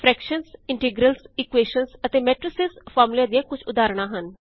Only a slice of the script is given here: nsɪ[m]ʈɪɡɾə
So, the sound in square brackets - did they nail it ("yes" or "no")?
no